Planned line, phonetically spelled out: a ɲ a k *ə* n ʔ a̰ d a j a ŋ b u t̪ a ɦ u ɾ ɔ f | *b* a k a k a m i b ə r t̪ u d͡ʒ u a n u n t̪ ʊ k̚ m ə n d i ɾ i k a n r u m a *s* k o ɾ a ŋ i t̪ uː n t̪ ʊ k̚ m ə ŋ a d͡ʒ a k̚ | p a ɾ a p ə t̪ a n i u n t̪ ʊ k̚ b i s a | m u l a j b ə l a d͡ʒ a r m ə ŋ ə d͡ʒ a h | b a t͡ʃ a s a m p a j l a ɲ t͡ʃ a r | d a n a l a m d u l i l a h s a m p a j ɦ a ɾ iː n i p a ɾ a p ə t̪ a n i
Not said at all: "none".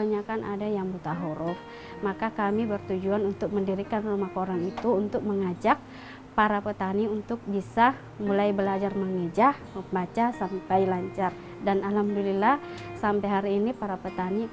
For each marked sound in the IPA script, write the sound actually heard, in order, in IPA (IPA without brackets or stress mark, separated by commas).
a, m, h